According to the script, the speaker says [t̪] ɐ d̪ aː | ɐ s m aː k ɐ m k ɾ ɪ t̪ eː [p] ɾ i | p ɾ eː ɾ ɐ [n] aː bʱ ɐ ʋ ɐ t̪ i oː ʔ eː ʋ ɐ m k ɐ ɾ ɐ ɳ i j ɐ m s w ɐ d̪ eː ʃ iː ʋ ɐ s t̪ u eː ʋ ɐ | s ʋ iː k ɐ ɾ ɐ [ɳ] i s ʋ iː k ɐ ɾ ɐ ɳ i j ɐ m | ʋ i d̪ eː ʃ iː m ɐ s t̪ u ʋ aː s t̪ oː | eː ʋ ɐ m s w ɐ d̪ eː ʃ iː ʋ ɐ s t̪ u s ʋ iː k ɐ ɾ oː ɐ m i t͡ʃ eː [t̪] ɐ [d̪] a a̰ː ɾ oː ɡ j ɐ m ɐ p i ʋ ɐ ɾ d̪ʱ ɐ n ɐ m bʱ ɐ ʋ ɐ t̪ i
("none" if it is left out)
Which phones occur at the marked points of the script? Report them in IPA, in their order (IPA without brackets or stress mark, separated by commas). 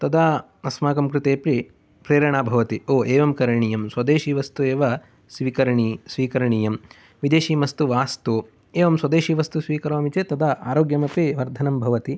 t̪, p, ɳ, ɳ, t̪, d̪